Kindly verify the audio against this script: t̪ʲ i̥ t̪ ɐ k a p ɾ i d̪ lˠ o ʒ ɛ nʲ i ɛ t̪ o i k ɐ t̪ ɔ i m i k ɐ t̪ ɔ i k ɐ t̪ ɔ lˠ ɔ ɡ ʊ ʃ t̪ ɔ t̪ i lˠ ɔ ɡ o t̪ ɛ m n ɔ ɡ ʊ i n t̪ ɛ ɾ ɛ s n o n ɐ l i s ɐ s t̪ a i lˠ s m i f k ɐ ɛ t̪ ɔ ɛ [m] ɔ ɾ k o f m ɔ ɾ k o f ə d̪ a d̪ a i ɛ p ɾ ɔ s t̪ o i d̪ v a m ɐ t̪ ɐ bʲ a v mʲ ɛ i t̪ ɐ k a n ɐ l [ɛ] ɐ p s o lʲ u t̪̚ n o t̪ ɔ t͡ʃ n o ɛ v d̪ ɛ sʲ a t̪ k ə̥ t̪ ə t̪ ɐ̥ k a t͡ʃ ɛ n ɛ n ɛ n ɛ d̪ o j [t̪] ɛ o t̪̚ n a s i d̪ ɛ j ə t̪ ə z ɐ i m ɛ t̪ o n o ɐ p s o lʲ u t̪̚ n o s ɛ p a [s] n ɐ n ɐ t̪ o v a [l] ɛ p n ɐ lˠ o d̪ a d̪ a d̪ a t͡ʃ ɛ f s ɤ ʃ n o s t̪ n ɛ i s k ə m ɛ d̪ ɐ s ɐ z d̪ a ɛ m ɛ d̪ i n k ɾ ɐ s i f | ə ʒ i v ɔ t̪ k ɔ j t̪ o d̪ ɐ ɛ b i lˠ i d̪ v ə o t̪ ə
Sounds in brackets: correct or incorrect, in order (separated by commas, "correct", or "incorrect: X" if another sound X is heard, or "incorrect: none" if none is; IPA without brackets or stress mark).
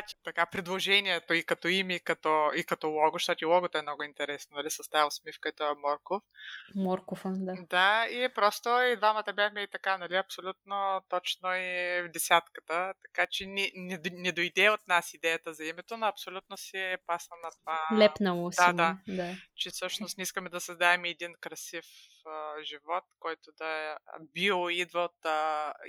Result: correct, incorrect: i, incorrect: d̪, correct, correct